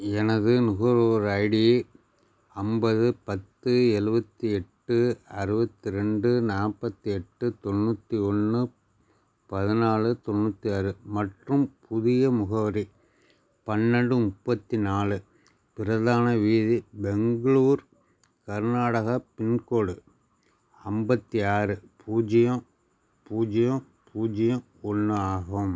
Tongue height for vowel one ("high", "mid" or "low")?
mid